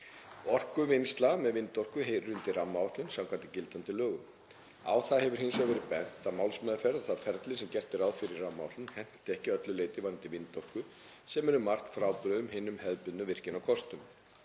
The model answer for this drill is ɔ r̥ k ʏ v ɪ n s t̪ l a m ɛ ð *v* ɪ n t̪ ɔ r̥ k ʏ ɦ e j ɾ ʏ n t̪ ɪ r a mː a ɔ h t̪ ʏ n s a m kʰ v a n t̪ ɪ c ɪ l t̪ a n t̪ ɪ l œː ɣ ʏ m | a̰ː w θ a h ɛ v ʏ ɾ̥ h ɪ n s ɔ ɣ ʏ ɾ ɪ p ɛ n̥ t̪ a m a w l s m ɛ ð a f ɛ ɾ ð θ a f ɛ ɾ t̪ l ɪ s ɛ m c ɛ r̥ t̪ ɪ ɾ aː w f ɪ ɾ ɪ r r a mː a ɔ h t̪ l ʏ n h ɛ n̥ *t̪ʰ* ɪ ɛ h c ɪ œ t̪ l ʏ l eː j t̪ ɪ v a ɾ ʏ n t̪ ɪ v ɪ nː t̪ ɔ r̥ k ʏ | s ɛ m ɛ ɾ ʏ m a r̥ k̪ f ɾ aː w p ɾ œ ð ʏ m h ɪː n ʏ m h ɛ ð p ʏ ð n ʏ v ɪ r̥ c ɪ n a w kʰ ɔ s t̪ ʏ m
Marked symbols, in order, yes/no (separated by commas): yes, no